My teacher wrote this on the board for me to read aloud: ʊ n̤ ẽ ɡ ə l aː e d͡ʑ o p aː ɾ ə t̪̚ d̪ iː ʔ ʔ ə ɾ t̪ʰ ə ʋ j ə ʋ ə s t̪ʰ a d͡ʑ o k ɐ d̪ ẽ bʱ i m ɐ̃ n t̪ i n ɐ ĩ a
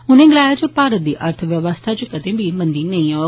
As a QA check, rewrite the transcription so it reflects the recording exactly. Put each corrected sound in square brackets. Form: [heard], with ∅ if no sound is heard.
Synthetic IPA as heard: ʊ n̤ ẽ ɡ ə l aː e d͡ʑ o p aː ɾ ə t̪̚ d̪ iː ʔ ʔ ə ɾ t̪ʰ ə ʋ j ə ʋ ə s t̪ʰ a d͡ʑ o k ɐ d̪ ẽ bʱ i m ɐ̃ n [d̪] i n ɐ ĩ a